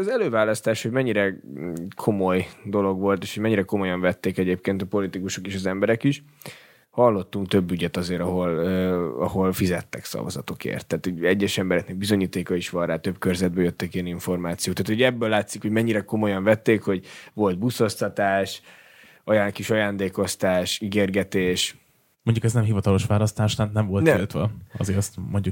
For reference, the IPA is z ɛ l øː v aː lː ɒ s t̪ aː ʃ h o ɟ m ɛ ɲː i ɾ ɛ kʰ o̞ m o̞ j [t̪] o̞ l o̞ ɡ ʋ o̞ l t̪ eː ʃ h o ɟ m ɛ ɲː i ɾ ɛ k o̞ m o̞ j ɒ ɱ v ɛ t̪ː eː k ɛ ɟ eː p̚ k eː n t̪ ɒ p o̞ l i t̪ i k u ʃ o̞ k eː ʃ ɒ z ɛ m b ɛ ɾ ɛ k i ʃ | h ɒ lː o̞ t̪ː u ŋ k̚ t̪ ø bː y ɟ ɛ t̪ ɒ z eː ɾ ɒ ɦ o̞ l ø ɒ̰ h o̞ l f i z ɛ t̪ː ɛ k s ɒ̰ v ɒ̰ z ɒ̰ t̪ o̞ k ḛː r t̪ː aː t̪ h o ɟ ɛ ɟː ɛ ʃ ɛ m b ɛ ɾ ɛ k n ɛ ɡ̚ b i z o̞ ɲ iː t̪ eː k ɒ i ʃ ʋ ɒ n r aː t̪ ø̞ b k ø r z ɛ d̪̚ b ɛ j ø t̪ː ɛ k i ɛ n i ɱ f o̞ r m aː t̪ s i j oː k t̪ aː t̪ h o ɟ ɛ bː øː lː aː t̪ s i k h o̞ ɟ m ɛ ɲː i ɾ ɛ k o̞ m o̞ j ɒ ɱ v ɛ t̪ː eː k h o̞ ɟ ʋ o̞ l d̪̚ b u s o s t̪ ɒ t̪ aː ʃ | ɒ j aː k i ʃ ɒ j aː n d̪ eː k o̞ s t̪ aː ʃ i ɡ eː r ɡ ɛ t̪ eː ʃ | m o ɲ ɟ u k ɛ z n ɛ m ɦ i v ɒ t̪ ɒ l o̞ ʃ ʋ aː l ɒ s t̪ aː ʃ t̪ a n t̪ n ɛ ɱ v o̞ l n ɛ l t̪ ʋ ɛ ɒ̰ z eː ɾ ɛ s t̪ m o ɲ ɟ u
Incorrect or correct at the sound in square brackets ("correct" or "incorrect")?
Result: incorrect